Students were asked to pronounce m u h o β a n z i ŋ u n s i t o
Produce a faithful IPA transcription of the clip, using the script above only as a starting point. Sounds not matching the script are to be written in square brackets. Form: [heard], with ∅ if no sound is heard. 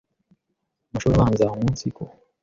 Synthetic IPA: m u [ʃ] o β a n z [a] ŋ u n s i [k] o